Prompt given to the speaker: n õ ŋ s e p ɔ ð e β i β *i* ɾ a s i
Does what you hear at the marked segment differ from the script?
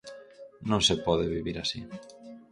no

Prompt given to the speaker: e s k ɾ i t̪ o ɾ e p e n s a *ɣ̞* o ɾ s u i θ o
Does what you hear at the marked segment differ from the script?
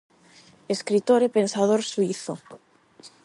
yes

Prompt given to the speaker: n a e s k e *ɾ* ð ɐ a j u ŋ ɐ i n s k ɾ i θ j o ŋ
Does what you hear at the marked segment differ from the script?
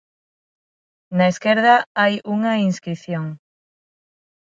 no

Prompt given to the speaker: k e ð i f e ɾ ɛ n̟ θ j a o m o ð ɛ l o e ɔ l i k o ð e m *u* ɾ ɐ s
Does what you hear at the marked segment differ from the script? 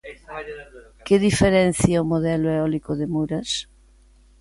no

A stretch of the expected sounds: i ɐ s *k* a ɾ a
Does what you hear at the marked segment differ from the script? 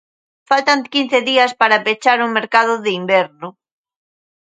yes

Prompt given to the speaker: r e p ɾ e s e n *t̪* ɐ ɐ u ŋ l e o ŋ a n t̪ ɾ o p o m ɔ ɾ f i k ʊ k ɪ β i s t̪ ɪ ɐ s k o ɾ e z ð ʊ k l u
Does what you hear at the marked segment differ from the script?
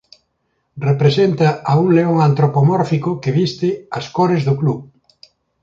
no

